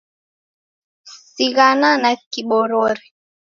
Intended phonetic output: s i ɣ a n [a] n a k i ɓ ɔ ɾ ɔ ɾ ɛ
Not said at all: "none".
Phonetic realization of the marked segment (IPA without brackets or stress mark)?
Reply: a